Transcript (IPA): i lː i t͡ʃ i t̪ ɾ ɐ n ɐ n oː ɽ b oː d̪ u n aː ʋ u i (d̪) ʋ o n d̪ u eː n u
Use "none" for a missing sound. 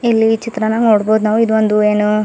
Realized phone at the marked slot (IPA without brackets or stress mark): d̪